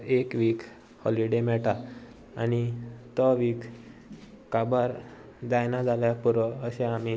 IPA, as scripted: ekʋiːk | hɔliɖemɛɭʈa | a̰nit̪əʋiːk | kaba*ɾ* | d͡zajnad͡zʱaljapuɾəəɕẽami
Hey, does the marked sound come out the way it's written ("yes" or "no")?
yes